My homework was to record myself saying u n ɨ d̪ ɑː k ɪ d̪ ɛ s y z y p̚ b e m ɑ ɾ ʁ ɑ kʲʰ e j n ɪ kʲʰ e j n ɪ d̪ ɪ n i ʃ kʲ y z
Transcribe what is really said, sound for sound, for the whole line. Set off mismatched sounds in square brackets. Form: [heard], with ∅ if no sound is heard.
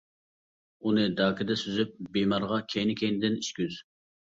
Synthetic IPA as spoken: u n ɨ d̪ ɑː k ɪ d̪ ɛ s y z y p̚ b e m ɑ ɾ ʁ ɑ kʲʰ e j n ɪ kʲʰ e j n ɪ d̪ ɪ n i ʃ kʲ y z